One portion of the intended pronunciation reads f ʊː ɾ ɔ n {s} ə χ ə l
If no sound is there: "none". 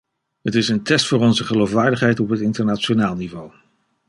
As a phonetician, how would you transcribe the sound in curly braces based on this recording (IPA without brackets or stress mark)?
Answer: z